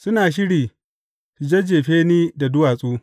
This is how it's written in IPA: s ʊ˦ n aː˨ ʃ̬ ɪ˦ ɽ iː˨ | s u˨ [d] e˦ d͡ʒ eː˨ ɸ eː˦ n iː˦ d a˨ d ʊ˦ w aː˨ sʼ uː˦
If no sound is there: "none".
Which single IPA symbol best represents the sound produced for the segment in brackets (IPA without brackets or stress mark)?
d͡ʒ